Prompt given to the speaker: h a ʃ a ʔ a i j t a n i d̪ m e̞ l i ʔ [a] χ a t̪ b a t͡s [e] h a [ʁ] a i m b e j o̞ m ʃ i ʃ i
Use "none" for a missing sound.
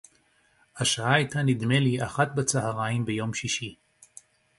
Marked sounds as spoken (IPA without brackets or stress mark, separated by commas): a, a, ʁ